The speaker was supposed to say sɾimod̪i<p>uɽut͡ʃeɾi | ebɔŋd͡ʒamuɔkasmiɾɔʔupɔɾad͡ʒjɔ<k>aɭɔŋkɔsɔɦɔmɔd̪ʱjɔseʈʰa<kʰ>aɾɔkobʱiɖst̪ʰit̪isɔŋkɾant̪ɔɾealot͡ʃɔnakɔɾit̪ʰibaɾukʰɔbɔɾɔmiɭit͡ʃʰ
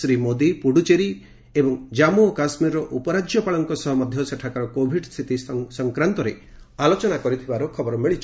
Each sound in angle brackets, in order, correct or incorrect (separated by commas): correct, incorrect, incorrect